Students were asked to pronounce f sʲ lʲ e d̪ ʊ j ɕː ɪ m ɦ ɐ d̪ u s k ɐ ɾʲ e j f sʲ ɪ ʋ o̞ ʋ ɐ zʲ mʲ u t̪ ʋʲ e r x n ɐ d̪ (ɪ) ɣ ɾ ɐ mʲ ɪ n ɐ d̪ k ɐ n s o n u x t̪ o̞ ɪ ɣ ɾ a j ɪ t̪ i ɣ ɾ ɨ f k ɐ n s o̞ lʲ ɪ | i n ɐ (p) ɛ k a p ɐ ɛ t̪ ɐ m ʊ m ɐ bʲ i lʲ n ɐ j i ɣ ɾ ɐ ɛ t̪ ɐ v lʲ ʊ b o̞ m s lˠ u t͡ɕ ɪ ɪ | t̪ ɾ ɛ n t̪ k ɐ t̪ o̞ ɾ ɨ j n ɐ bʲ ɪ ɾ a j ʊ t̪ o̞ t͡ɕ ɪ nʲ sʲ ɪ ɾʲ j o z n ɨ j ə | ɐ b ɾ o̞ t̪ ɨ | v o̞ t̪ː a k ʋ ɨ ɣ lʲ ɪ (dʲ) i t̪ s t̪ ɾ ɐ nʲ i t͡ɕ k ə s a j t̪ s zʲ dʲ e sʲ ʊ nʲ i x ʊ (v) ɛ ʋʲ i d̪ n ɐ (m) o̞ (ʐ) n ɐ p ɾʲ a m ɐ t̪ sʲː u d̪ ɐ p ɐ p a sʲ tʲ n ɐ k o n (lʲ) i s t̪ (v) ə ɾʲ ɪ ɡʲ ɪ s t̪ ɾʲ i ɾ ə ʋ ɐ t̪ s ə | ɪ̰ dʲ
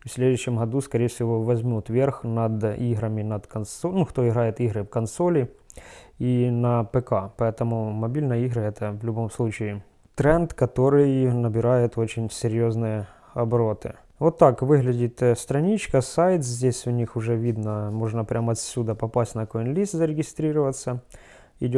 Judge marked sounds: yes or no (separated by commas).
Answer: no, yes, yes, no, yes, yes, yes, no